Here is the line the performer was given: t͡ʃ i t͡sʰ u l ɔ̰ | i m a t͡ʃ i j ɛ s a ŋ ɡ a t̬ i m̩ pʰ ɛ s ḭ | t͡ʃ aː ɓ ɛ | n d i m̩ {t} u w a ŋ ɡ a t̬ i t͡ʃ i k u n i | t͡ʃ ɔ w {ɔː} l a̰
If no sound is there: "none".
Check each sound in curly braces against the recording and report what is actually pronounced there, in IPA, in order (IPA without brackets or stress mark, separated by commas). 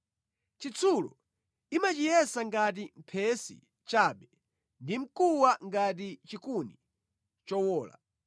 k, ɔː